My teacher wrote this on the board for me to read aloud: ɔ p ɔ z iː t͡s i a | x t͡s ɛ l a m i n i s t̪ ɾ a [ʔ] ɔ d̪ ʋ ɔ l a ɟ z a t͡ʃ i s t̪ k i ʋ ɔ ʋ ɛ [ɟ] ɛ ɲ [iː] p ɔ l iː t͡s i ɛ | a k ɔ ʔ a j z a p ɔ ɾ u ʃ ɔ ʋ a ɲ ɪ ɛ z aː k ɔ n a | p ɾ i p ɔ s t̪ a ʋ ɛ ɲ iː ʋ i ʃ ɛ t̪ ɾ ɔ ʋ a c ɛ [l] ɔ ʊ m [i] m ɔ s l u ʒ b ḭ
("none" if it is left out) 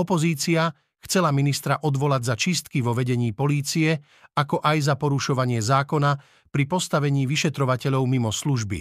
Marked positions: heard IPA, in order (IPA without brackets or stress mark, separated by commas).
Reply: ʔ, ɟ, iː, ʎ, i